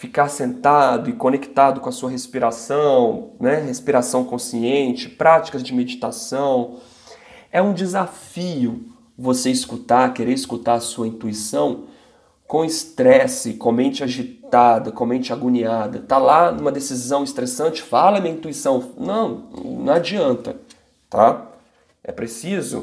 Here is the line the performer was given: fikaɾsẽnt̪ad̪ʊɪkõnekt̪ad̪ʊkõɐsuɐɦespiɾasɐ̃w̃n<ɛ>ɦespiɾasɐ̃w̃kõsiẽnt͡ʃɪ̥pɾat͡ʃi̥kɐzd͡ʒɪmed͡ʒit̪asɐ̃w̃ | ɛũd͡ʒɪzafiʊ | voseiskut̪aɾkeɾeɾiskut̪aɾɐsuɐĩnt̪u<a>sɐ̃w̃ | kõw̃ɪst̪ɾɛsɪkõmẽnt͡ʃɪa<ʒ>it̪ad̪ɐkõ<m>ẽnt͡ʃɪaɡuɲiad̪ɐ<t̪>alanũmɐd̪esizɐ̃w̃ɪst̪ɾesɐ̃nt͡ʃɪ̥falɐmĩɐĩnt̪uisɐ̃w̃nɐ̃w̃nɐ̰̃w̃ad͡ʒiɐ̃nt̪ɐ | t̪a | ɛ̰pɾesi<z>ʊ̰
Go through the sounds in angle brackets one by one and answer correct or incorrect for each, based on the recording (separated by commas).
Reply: correct, incorrect, correct, correct, correct, correct